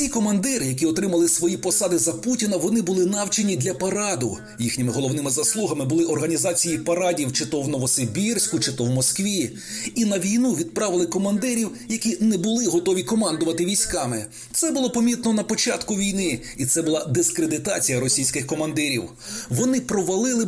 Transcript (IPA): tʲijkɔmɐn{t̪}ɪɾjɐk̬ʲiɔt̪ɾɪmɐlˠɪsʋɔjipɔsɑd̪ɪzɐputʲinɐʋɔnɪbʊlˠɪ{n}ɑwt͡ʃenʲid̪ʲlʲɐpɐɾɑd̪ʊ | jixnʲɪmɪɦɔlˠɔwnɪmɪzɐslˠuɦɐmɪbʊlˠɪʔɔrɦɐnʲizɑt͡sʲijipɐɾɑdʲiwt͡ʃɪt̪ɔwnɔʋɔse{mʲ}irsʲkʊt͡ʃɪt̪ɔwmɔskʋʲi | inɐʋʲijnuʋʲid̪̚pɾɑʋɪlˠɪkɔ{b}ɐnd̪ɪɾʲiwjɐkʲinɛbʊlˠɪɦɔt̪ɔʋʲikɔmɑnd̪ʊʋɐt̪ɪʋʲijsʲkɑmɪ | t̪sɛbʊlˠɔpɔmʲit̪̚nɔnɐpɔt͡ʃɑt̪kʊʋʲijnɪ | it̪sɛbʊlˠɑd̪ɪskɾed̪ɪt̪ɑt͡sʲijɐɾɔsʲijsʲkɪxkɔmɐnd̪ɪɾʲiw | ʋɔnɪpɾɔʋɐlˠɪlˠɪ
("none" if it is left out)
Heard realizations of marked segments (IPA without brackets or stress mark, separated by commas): d̪, n, bʲ, m